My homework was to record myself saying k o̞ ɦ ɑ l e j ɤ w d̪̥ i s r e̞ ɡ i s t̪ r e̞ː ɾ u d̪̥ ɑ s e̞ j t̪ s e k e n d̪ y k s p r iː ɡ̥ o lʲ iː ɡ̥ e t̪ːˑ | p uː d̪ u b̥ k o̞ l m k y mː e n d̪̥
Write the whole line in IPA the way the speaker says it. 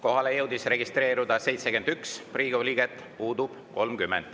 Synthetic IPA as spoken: k o̞ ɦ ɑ l e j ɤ w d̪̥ i s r e̞ ɡ i s t̪ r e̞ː ɾ u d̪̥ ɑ s e̞ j t̪ s e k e n d̪ y k s p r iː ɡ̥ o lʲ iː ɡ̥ e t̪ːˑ | p uː d̪ u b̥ k o̞ l m k y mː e n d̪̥